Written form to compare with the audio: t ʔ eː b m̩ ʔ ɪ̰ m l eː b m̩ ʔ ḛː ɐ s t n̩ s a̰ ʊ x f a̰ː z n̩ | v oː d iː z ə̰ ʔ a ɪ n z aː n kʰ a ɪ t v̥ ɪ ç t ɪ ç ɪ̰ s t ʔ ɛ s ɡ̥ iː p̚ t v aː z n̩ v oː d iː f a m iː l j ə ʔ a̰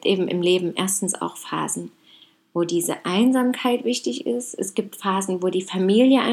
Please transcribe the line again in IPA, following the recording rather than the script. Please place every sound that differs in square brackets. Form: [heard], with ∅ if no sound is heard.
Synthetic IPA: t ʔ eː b m̩ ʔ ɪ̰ m l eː b m̩ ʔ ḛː ɐ s t n̩ s a̰ ʊ x f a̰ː z n̩ | v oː d iː z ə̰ ʔ a ɪ n z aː [m] kʰ a ɪ t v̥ ɪ ç t ɪ ç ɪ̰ s t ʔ ɛ s ɡ̥ iː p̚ t [f] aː z n̩ v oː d iː f a m iː l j ə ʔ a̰